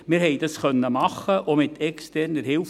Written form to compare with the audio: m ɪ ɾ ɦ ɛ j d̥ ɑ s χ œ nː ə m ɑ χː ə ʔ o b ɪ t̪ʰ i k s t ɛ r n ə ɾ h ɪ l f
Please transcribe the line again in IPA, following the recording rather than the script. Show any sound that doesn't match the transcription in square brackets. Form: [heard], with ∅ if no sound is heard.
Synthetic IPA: m ɪ ɾ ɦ ɛ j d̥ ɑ s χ œ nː ə m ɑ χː ə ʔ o [m] ɪ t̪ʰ [ɛ] k s t ɛ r n ə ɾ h ɪ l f